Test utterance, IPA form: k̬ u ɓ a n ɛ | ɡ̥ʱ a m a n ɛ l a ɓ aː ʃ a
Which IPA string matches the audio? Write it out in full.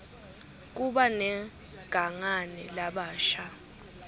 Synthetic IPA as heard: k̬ u ɓ a n ɛ | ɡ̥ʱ a ŋ a n ɛ l a ɓ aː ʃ a

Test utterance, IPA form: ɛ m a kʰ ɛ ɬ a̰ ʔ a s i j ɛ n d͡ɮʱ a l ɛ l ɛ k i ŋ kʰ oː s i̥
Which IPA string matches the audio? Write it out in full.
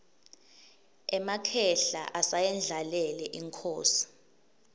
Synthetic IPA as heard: ɛ m a kʰ ɛ ɬ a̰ ʔ a s a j ɛ n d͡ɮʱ a l ɛ l ɛ ʔ i ŋ kʰ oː s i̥

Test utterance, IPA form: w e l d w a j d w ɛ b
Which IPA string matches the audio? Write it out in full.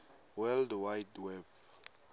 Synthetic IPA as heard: w ɛ l d w a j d w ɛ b

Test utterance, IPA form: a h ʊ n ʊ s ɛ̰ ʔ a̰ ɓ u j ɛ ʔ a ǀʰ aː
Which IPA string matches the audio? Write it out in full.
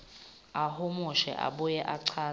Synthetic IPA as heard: a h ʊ m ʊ ʃ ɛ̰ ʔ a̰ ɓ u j ɛ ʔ a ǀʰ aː

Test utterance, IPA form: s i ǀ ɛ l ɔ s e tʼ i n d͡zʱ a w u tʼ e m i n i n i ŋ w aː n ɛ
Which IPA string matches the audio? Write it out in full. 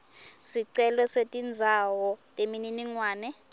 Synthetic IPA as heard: s i ǀ ɛ l ɔ s e tʼ i n d͡zʱ a w ɔ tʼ e m i n i n i ŋ w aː n ɛ

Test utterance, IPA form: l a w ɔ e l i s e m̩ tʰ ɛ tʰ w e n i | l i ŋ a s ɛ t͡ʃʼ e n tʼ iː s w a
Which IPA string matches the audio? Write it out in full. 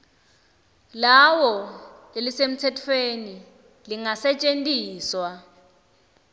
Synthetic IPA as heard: l a w ɔ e l i s e m̩ tʰ ɛ tʰ w e n i | l i ŋ a s ɛ t͡ʃʼ e n tʼ iː s w a

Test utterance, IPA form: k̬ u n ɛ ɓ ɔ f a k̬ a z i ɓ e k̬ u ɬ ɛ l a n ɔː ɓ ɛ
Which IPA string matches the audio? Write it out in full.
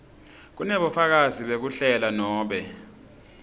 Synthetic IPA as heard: k̬ u n ɛ ɓ ɔ f a k̬ a z i ɓ e k̬ u ɬ ɛ l a n ɔː ɓ ɛ

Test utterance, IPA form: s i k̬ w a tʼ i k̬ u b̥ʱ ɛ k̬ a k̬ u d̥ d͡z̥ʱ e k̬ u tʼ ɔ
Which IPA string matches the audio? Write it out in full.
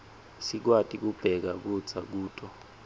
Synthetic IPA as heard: s i k̬ w a tʼ i k̬ u b̥ʱ ɛ k̬ a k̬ u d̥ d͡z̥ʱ a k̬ uː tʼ ɔ

